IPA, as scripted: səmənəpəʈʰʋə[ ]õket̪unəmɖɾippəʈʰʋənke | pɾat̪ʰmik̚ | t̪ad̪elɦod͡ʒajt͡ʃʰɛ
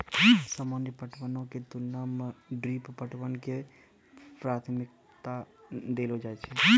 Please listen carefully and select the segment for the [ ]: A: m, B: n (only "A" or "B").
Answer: B